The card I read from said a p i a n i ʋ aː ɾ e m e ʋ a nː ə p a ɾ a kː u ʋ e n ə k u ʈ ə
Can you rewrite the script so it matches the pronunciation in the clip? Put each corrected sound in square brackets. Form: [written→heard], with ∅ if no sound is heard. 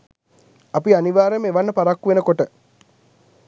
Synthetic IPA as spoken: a p i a n i ʋ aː ɾ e m e ʋ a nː ə p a ɾ a kː u ʋ e n ə k [u→o] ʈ ə